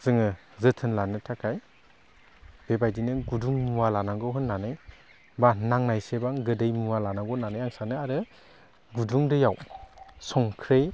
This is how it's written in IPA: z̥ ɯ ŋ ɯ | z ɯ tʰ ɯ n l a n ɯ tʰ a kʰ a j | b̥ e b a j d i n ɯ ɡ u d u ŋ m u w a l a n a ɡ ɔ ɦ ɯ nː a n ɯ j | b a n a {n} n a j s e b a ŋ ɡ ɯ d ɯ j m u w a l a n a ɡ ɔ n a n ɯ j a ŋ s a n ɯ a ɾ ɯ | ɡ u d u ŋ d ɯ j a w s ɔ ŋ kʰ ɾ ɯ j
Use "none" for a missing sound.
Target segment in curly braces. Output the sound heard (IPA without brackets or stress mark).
ŋ